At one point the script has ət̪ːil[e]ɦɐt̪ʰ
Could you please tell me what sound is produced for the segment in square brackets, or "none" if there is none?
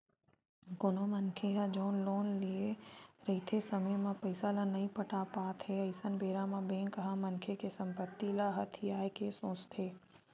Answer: a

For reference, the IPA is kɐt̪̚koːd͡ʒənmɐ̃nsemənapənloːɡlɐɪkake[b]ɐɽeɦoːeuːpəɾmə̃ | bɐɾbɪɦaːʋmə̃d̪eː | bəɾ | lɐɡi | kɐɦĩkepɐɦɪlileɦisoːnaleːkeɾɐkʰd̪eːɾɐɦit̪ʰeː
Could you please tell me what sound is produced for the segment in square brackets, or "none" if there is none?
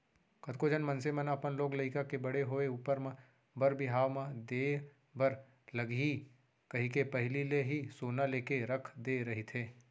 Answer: b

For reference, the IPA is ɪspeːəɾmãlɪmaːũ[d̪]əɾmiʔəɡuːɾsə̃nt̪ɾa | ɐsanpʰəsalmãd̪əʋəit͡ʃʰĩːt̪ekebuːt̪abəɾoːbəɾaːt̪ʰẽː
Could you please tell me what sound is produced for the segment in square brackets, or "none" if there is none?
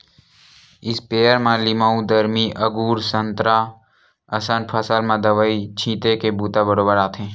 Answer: d̪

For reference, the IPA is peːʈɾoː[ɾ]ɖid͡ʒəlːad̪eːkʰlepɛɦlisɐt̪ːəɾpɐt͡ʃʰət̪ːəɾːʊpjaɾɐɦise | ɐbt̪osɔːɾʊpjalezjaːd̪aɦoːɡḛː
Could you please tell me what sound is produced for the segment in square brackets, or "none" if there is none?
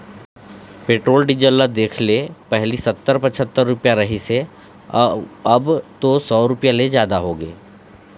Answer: l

